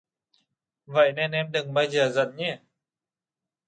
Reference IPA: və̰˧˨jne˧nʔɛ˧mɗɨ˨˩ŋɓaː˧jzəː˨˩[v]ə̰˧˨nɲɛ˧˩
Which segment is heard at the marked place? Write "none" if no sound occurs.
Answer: z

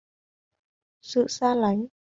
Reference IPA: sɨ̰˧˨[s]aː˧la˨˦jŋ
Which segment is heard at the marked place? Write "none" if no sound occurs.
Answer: s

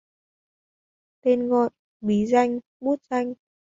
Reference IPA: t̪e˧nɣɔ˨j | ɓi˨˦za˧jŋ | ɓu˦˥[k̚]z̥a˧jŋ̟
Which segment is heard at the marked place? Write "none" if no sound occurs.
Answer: t̚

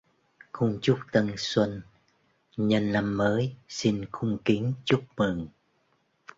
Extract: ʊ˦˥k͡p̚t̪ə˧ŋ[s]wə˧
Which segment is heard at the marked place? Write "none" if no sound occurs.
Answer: s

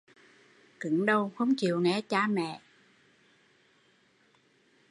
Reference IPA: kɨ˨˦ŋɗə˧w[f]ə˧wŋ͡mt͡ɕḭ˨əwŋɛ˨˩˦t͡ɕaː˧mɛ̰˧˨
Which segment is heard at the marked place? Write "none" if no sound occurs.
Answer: x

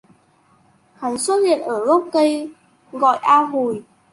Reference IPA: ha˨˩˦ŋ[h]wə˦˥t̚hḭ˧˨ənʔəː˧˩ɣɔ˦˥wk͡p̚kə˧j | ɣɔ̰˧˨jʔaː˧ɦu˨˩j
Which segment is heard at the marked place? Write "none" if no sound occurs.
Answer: s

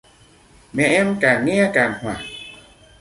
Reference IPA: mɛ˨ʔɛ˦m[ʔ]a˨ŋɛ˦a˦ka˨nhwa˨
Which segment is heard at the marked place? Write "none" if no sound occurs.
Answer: k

